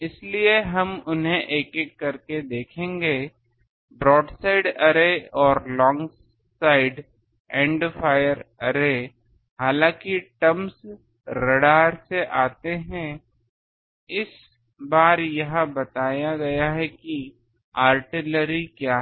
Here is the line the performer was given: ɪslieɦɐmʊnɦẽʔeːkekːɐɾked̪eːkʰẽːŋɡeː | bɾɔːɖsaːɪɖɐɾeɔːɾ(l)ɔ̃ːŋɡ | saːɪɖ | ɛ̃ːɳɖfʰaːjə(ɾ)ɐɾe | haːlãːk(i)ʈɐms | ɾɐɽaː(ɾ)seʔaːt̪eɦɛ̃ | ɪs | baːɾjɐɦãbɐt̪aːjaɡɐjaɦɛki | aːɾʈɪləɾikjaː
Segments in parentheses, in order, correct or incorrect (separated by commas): correct, correct, correct, correct